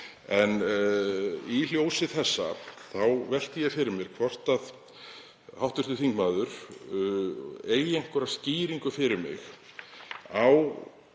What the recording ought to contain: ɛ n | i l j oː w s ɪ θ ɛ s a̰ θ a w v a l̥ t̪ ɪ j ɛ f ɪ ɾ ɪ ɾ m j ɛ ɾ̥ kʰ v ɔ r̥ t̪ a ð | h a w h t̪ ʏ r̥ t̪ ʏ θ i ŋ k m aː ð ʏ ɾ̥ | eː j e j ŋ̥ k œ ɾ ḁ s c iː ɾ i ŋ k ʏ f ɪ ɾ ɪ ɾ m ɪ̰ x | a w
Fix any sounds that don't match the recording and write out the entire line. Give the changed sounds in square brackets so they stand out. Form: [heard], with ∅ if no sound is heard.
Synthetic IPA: ɛ n | i l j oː w s ɪ θ ɛ [sː] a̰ θ a w v [ɛ] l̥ t̪ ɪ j ɛ f ɪ ɾ ɪ ɾ m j ɛ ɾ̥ kʰ v ɔ r̥ t̪ a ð | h a w h t̪ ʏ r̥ t̪ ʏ θ i ŋ k m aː ð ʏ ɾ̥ | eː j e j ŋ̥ k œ ɾ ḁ s c iː ɾ i ŋ k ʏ f ɪ ɾ ɪ ɾ m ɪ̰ x | a w